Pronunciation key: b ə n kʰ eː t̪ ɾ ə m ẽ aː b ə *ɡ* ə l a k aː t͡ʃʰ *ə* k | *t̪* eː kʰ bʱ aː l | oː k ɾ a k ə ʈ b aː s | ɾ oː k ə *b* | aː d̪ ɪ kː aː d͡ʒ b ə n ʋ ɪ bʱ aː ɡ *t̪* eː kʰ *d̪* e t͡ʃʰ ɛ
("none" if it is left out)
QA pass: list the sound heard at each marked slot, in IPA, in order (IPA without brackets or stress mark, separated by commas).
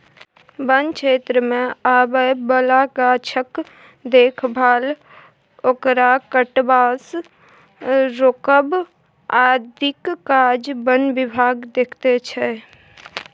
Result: b, ə, d̪, b, d̪, t̪